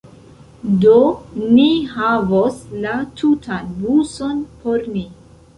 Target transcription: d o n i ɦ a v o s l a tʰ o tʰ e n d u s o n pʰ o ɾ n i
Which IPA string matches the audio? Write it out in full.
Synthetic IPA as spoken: d o n i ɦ a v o s l a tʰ u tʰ a n b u s o n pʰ o ɾ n i